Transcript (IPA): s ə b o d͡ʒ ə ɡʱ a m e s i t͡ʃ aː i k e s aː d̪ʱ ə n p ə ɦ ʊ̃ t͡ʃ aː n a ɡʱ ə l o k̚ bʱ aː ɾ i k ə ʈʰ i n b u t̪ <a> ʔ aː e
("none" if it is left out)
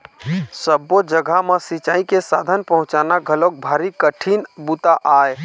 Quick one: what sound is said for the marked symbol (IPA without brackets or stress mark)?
a